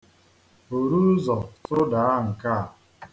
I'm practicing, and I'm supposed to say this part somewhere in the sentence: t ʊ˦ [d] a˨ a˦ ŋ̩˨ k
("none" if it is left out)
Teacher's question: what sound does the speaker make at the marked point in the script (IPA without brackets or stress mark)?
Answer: d